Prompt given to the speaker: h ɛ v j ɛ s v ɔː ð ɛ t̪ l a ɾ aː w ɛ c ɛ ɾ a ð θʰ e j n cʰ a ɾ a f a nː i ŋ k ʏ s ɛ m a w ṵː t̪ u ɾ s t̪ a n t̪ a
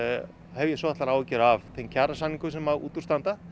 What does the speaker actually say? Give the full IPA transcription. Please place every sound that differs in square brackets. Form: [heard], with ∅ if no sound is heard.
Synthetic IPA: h ɛ v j ɛ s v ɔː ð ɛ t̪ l a ɾ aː w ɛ c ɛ ɾ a [v] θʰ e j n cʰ a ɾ a [s] a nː i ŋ k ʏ s ɛ m a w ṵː t̪ u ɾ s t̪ a n t̪ a